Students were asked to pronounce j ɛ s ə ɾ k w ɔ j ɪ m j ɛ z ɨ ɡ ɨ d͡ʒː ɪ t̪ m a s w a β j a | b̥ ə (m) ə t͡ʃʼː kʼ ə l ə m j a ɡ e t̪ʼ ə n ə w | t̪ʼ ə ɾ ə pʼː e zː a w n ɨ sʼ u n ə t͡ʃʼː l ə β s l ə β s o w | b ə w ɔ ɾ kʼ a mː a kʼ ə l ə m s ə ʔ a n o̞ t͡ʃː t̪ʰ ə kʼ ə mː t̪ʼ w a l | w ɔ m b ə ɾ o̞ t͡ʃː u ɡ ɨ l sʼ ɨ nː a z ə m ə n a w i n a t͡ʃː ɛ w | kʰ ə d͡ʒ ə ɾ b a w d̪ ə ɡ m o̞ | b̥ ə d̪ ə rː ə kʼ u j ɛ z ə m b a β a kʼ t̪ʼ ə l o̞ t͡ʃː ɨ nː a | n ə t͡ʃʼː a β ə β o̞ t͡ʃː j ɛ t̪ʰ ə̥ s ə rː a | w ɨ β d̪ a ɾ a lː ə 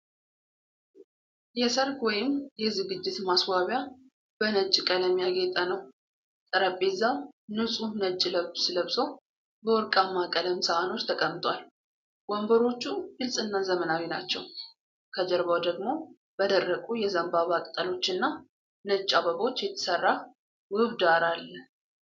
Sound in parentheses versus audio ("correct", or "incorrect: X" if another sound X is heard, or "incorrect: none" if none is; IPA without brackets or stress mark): incorrect: n